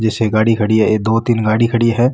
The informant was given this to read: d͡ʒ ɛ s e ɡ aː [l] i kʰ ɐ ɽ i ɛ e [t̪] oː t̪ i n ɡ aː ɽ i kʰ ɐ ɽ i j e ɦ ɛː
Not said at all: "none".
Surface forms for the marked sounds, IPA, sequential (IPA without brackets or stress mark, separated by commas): ɽ, d̪